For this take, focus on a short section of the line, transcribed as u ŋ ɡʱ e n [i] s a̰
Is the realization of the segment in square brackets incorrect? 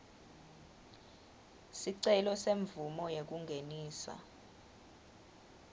yes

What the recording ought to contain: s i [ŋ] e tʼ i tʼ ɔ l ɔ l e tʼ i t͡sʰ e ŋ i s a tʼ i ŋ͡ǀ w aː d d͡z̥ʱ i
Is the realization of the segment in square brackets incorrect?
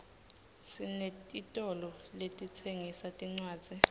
yes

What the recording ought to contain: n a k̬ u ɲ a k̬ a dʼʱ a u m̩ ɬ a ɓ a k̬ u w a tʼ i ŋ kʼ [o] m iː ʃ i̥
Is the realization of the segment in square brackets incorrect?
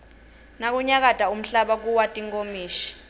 no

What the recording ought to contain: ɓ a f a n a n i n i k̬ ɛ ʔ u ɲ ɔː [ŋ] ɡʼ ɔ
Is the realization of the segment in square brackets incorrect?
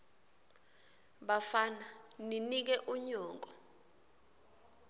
no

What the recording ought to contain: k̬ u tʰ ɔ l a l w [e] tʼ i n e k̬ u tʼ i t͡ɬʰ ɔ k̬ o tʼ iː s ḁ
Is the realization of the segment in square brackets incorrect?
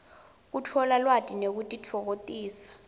yes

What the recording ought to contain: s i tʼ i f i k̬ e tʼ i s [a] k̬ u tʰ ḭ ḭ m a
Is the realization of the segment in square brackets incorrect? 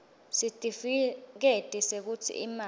yes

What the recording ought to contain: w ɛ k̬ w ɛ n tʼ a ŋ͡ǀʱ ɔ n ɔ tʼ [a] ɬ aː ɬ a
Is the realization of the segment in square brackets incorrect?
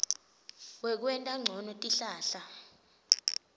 yes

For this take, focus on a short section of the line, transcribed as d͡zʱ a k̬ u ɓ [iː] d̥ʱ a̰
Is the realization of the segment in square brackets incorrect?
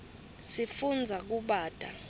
yes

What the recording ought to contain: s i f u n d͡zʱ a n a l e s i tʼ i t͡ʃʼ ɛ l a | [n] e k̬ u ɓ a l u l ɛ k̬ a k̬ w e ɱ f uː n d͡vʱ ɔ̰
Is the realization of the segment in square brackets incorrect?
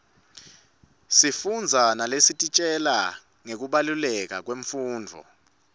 yes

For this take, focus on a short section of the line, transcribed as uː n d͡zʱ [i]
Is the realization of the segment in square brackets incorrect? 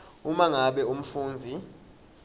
no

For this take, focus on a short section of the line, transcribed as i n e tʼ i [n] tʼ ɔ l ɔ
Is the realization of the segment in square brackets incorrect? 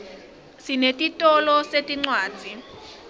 yes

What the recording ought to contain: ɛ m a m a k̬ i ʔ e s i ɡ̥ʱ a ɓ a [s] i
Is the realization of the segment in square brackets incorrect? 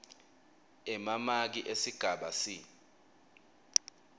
no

